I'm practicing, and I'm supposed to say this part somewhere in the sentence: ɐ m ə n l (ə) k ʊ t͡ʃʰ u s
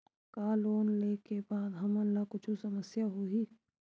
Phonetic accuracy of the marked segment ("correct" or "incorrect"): incorrect